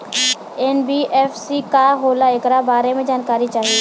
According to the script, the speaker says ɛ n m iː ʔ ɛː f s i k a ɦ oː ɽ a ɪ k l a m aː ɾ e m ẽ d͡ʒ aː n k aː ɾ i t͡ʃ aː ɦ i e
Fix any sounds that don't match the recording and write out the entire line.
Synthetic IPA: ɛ n b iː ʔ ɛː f s i k a ɦ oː l a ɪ k ɾ a b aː ɾ e m ẽ d͡ʒ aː n k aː ɾ i t͡ʃ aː ɦ i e